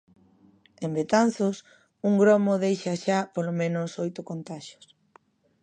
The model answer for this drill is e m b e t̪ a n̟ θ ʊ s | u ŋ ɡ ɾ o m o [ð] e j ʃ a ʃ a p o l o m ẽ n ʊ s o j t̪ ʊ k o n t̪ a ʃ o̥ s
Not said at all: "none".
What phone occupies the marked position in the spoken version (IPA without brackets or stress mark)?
ð